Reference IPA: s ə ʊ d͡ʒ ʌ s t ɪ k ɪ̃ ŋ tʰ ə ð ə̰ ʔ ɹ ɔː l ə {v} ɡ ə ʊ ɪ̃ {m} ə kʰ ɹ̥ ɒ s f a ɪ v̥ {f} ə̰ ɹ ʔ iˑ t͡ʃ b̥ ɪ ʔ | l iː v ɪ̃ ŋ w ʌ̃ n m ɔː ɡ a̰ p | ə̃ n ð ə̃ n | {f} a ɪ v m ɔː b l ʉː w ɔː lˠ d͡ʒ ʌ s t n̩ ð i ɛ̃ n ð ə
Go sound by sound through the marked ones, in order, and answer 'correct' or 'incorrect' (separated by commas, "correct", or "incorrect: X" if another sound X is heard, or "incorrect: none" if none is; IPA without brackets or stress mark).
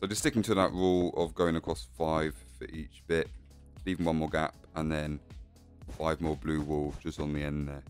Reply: correct, incorrect: ŋ, correct, correct